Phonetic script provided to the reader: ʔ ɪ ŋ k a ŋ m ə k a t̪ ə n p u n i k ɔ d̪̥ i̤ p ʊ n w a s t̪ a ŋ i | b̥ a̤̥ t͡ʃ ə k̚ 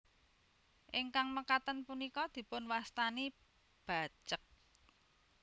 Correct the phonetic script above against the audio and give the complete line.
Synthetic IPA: ʔ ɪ ŋ k a ŋ m ə k a t̪ ə n p u n i k ɔ d̪̥ i̤ p ʊ n w a s t̪ a n i | b̥ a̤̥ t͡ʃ ə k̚